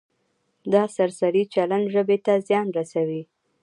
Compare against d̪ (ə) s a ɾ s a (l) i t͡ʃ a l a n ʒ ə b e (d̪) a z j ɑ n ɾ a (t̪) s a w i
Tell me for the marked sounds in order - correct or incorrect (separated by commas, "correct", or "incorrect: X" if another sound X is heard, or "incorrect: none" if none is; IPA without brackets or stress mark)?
incorrect: ɑ, incorrect: ɾ, incorrect: t̪, incorrect: none